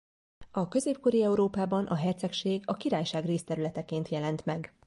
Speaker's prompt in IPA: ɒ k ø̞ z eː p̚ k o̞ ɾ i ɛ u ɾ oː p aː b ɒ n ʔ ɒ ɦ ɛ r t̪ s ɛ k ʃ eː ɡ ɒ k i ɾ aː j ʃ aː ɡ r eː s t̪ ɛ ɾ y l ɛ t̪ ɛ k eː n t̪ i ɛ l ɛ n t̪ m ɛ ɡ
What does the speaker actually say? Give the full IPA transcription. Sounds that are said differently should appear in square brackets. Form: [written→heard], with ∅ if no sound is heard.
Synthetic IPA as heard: ɒ k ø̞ z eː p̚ k o̞ ɾ i ɛ u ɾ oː p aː b ɒ n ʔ ɒ ɦ ɛ r t̪ s ɛ k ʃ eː ɡ ɒ k i ɾ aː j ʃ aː ɡ r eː s t̪ ɛ ɾ y l ɛ t̪ ɛ k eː n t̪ [i→j] ɛ l ɛ n t̪ m ɛ ɡ